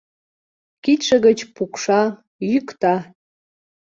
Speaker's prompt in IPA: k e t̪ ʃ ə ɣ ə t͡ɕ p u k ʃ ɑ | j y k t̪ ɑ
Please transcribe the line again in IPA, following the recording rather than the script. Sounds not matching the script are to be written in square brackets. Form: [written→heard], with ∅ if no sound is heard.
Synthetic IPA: k [e→i] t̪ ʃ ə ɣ ə t͡ɕ p u k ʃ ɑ | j y k t̪ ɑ

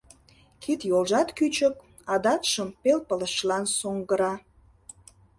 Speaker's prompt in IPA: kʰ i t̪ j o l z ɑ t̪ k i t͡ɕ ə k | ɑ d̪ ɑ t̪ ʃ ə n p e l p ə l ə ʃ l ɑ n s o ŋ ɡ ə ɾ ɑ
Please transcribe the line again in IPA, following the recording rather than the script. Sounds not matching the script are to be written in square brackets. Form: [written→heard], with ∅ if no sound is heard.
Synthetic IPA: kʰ i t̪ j o l [z→ʒ] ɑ t̪ k [i→y] t͡ɕ ə k | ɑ d̪ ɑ t̪ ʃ ə [n→m] p e l p ə l ə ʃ l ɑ n s o ŋ ɡ ə ɾ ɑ

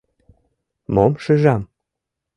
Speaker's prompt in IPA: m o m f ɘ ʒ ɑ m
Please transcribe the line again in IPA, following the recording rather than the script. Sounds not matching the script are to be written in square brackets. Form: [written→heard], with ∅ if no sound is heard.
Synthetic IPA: m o m [f→ʃ] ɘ ʒ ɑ m

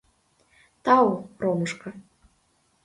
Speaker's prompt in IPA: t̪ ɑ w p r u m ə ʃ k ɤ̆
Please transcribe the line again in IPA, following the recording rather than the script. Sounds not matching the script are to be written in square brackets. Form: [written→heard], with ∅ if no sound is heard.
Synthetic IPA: t̪ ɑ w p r [u→o] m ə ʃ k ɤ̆

